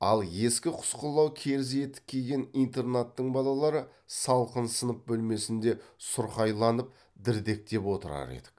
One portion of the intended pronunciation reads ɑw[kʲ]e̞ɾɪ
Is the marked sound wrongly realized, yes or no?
yes